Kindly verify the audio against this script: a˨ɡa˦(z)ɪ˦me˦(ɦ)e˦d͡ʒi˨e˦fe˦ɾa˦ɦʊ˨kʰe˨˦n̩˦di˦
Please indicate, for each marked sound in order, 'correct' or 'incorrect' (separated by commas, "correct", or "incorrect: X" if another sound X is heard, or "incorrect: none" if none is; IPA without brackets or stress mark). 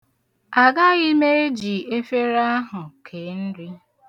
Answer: incorrect: ɣ, incorrect: none